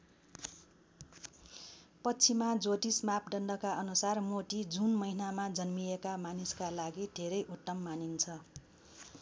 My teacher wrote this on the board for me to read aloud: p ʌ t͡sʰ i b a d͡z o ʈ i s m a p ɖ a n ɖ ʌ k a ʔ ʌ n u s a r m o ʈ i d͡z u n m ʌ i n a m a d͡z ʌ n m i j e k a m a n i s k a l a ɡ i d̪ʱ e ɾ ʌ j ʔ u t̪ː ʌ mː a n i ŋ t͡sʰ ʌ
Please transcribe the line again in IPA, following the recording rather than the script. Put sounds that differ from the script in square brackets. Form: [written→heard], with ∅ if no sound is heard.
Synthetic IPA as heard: p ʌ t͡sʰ i [b→m] a d͡z o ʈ i s m a p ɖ [a→ʌ] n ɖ ʌ k a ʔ ʌ n u s a r m o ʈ i d͡z u n m ʌ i n a m a d͡z ʌ n m i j e k a m a n i s k a l a ɡ i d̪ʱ e ɾ ʌ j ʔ u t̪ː ʌ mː a n i [ŋ→n] t͡sʰ ʌ